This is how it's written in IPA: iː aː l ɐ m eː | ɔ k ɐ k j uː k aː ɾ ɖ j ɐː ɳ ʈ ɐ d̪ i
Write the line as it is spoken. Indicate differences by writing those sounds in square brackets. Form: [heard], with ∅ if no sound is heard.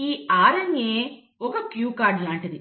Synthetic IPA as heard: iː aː [ɾ] ɐ [ŋ] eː | ɔ k ɐ k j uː k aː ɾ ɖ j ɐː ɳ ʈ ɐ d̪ i